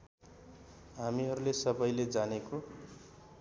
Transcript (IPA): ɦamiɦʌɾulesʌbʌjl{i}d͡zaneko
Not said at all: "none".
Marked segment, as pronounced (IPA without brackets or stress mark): e